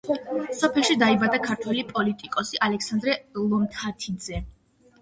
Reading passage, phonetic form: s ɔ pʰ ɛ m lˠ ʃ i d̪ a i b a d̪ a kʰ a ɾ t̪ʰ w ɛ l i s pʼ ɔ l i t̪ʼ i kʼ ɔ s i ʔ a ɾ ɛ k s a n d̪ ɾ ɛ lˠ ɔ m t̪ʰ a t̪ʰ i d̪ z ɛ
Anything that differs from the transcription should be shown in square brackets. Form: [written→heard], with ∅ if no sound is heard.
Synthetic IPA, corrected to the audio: s ɔ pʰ ɛ [m→∅] lˠ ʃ i d̪ a i b a d̪ a kʰ a ɾ t̪ʰ w ɛ l i [s→∅] pʼ ɔ l i t̪ʼ i kʼ ɔ s i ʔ a [ɾ→l] ɛ k s a n d̪ ɾ ɛ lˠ ɔ m t̪ʰ a t̪ʰ i d̪ z ɛ